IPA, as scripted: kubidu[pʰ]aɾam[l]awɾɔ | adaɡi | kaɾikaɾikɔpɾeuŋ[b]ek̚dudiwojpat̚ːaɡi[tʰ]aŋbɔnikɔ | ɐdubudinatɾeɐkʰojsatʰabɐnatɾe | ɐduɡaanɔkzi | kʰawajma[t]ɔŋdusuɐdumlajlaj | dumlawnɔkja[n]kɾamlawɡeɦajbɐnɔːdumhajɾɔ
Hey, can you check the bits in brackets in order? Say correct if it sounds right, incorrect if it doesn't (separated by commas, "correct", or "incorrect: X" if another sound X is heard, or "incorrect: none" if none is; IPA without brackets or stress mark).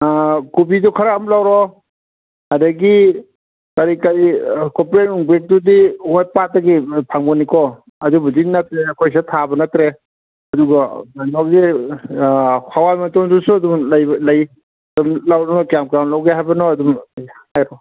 incorrect: kʰ, correct, correct, incorrect: pʰ, correct, incorrect: m